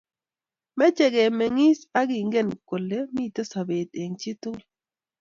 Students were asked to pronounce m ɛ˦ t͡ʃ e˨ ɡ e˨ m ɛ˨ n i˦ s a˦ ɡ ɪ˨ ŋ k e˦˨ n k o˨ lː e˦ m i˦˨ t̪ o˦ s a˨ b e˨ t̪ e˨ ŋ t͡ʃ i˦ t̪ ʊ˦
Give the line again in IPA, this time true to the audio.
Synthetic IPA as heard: m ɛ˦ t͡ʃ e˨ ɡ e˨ m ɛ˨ ŋ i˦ s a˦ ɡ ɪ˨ ŋ ɡ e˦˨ n k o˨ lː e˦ m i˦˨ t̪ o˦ s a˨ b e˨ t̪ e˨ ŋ t͡ʃ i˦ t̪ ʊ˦